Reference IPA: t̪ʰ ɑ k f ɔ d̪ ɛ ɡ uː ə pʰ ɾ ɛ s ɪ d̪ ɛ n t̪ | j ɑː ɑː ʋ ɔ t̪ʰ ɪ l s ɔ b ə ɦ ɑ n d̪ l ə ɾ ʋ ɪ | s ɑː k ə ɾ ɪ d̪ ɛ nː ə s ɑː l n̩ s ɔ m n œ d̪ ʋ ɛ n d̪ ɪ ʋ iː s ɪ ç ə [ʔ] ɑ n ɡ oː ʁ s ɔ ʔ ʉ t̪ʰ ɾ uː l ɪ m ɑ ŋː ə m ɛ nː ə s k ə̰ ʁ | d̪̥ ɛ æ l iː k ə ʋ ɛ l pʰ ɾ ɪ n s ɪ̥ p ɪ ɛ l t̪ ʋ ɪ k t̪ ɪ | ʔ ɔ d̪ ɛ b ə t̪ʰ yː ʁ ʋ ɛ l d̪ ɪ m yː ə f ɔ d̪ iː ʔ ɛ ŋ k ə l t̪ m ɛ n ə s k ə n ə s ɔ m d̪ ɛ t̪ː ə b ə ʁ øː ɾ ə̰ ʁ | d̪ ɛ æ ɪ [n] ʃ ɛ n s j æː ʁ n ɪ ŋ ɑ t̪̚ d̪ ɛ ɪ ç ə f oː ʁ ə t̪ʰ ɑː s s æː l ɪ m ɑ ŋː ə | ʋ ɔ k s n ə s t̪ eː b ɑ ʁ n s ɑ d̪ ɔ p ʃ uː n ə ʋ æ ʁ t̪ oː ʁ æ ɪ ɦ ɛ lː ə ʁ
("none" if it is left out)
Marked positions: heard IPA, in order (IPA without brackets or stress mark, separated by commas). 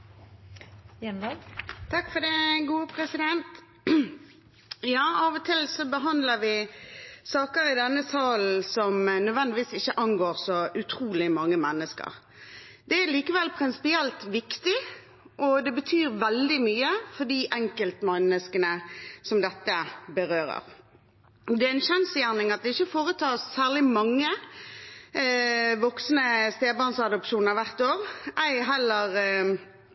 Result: ʔ, n